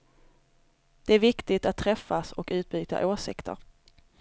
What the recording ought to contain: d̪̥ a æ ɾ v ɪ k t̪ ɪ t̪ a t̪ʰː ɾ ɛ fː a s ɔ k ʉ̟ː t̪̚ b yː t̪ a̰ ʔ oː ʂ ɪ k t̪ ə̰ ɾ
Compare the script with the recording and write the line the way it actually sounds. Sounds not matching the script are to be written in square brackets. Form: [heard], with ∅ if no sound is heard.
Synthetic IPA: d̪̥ [ɛ] æ ɾ v ɪ k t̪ ɪ t̪ a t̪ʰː ɾ ɛ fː a s ɔ k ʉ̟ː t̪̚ b yː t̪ a̰ ʔ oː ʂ ɪ k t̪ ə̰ ɾ